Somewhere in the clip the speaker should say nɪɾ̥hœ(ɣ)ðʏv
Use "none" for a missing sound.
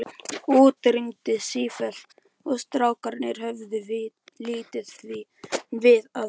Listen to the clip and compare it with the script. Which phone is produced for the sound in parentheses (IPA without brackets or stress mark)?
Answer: v